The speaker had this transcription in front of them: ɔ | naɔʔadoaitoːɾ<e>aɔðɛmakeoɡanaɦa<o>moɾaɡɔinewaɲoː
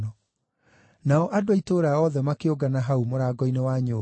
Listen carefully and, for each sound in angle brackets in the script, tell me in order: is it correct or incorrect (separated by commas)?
incorrect, incorrect